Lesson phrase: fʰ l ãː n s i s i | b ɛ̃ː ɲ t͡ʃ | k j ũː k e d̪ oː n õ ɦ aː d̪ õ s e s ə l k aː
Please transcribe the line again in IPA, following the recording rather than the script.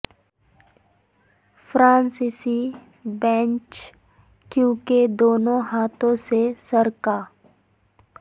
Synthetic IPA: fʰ ɾ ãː n s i s i | b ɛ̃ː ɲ t͡ʃ | k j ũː k e d̪ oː n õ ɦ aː t̪ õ s e s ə ɾ k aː